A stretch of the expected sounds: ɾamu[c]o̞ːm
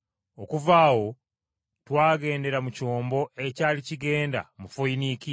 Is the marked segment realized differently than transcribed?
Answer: no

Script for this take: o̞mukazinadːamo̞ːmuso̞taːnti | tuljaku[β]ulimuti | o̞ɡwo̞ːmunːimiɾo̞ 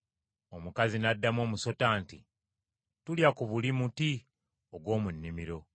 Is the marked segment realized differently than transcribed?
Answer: no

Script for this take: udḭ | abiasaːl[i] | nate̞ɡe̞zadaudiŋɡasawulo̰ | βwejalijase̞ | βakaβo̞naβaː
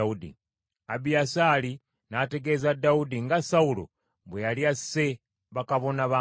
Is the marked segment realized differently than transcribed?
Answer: no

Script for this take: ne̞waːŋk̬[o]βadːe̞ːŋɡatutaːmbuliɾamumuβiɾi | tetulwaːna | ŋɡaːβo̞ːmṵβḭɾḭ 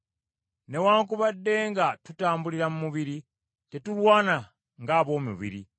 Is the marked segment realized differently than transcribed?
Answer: yes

